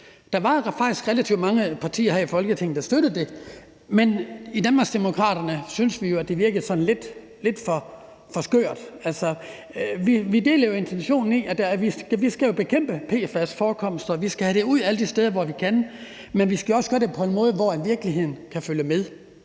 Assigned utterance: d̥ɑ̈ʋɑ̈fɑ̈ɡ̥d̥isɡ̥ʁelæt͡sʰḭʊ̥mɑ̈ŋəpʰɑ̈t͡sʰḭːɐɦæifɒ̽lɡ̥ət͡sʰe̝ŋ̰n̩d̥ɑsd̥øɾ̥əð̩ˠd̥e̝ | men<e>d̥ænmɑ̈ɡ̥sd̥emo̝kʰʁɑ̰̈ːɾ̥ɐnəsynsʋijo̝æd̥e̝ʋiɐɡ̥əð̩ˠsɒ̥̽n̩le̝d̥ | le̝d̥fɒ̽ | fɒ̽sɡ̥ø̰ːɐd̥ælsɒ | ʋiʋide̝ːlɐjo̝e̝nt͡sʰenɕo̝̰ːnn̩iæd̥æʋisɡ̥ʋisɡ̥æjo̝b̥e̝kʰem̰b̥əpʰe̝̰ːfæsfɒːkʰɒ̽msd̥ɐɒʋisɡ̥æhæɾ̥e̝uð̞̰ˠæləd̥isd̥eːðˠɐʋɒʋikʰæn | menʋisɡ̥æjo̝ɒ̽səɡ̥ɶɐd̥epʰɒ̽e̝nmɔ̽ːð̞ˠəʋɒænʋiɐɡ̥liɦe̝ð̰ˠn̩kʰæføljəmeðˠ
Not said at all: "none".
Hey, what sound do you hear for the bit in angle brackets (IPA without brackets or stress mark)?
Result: i